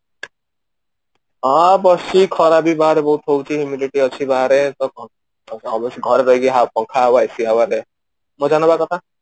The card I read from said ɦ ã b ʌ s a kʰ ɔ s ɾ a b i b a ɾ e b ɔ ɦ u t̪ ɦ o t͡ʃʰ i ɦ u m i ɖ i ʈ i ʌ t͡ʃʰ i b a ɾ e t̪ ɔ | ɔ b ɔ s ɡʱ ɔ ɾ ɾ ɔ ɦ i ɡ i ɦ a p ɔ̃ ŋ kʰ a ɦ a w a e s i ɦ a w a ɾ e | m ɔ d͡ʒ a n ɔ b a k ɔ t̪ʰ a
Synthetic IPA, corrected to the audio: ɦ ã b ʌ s i kʰ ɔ ɾ a b i b a ɾ e b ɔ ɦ u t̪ ɦ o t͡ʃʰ i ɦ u m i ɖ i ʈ i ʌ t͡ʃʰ i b a ɾ e t̪ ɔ | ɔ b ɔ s ɡʱ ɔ ɾ ɾ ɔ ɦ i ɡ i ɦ a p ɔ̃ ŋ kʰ a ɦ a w a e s i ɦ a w a ɾ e | m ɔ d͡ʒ a n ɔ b a k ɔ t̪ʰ a